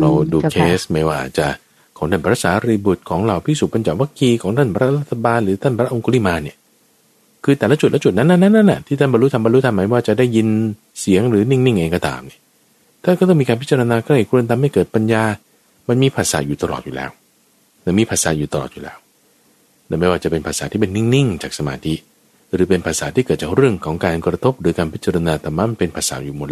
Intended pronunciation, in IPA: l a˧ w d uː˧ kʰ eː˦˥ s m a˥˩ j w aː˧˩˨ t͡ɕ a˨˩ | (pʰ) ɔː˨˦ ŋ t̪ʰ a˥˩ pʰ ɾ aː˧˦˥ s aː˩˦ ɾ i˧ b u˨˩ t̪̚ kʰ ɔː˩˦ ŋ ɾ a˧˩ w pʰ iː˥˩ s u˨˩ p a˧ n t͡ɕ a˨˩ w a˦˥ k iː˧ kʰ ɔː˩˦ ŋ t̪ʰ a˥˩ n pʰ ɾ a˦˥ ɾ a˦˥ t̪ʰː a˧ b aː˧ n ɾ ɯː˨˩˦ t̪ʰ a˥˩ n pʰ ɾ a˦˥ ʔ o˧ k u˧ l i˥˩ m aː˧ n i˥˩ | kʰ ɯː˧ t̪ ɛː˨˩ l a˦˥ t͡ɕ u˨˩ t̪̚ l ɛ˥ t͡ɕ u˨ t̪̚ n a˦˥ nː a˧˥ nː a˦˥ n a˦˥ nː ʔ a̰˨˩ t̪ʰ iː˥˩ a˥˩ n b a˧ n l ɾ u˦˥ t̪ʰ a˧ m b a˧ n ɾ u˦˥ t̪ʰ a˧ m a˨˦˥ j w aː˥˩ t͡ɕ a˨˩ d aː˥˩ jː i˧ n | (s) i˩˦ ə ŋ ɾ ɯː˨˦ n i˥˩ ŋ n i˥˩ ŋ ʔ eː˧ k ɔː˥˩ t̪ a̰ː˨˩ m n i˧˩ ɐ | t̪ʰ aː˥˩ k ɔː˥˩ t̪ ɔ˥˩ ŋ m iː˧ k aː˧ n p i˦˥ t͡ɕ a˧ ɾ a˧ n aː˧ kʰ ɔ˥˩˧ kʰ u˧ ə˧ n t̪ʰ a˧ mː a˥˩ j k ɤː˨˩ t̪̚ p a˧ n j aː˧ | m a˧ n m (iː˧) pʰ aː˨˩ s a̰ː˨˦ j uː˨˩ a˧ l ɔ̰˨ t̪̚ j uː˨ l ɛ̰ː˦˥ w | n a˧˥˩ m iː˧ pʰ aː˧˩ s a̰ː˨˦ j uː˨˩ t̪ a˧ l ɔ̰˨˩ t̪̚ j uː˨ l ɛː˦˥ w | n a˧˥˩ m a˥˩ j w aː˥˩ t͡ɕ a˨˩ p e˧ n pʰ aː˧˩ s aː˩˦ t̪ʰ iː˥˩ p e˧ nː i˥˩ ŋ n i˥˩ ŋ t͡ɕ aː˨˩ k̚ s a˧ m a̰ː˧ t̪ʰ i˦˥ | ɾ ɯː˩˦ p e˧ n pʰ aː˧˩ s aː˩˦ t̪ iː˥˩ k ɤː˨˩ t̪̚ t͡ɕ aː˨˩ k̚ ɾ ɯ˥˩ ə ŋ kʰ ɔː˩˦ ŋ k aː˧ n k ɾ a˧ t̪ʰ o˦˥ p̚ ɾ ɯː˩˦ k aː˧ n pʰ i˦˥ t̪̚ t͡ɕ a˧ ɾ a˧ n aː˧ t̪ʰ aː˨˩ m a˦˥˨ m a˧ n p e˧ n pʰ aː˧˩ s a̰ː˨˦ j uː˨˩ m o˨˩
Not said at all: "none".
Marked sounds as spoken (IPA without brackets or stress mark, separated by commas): kʰ, s, iː˧